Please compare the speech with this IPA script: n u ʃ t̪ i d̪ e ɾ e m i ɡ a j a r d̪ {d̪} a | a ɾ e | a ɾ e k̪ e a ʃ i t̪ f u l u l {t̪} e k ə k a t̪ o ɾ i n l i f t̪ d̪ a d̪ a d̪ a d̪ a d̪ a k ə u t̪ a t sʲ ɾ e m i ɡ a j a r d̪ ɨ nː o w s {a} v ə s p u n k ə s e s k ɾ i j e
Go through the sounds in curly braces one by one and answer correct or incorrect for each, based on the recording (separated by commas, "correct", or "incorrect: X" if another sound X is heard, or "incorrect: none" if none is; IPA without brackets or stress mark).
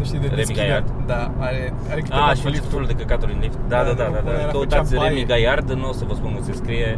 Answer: correct, incorrect: d̪, incorrect: ə